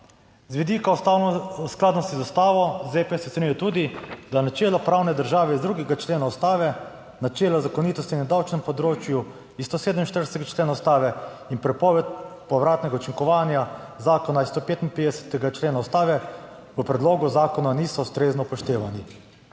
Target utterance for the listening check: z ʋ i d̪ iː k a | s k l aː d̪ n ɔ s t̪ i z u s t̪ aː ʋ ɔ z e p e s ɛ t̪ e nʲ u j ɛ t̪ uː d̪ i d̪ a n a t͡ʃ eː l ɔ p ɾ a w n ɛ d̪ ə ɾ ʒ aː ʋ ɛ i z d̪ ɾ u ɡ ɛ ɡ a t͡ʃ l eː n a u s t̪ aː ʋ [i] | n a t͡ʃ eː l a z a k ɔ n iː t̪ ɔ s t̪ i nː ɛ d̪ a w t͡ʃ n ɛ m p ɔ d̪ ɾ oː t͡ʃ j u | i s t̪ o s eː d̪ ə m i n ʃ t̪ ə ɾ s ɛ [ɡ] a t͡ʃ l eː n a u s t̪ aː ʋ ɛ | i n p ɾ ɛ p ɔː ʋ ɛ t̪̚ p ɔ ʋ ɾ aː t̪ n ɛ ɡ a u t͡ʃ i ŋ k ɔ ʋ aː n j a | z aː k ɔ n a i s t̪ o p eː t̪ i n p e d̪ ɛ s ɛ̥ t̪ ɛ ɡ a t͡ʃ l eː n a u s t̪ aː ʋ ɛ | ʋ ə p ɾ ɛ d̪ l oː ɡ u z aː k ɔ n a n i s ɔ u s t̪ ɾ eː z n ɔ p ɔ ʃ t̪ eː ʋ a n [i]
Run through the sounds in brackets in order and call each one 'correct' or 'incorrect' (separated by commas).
incorrect, correct, correct